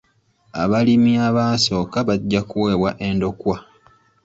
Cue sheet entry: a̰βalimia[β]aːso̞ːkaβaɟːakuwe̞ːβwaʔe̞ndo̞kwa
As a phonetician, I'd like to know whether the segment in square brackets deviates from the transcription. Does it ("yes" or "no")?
no